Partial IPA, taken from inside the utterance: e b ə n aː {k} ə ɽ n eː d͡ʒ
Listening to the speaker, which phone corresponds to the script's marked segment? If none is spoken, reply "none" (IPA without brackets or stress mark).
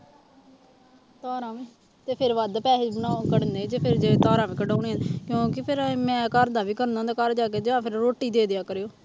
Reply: k